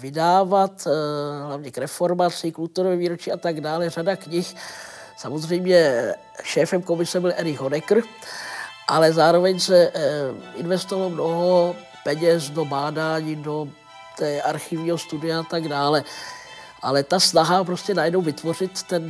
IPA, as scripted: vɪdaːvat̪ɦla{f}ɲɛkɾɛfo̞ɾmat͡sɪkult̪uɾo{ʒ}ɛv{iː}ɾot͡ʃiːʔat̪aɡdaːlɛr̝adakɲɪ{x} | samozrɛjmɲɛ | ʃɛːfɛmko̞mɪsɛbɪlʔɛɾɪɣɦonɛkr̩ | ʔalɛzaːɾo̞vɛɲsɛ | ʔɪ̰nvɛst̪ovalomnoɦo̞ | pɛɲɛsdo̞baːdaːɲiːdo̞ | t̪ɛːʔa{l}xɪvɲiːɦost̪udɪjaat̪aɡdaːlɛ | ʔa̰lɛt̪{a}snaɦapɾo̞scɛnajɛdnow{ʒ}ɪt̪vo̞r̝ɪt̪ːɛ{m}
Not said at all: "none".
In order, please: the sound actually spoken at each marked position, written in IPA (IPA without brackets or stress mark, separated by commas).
v, v, iː, x, ɾ, a, v, n